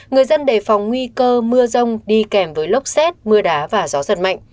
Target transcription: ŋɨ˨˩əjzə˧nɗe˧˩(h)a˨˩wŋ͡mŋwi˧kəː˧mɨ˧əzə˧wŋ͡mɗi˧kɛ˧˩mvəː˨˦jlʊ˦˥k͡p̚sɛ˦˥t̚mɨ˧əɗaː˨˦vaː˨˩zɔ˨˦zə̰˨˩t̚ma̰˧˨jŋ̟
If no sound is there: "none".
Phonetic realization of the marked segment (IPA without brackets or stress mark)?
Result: f